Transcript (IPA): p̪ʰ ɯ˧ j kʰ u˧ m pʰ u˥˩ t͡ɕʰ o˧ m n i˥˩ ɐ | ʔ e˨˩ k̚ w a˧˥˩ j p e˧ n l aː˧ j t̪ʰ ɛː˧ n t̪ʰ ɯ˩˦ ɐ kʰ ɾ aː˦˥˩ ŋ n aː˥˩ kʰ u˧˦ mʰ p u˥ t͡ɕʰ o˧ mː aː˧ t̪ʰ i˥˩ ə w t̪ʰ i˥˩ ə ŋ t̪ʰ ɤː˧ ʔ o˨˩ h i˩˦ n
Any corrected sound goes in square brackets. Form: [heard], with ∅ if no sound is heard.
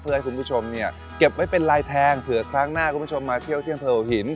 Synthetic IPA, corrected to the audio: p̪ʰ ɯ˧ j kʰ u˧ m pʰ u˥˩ t͡ɕʰ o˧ m n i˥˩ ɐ | [k] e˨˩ [p̚] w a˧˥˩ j p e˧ n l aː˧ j t̪ʰ ɛː˧ [ŋ] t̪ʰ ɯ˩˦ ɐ kʰ ɾ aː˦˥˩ ŋ n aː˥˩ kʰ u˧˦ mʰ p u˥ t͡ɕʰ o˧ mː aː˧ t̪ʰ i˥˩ ə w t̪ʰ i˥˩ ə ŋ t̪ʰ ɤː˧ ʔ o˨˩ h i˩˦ n